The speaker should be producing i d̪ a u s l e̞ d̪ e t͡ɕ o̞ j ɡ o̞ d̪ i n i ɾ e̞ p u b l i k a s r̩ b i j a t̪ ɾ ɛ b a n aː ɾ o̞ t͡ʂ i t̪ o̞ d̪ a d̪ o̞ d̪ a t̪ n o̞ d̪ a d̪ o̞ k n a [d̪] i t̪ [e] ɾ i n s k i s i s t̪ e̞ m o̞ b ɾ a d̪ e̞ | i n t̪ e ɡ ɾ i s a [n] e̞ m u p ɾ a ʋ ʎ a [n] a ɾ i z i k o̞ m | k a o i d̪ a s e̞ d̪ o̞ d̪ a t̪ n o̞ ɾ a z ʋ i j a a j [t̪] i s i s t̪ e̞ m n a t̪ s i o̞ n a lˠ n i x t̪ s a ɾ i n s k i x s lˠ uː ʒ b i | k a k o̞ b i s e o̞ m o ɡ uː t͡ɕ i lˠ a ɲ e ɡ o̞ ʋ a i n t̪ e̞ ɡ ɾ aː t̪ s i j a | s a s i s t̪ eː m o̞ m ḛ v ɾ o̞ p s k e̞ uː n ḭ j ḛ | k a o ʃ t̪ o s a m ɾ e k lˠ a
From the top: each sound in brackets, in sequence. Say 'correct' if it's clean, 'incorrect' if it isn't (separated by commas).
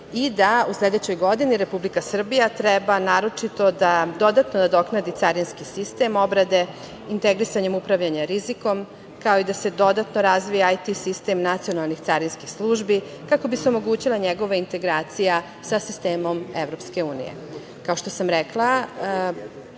correct, incorrect, incorrect, incorrect, correct